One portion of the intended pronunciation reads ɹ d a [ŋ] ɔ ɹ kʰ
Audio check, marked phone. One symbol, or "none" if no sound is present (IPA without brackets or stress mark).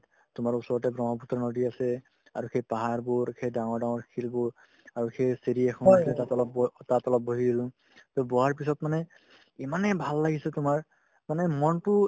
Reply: ŋ